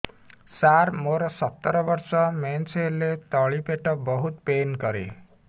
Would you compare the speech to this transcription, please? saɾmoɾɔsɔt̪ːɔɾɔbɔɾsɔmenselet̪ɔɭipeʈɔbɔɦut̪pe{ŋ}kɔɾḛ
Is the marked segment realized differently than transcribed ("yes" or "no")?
yes